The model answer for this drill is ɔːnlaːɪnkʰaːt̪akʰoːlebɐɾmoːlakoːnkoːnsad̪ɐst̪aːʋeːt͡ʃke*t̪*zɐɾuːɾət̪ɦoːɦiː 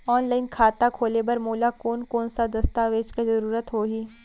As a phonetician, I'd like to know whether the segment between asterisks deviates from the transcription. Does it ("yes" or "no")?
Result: yes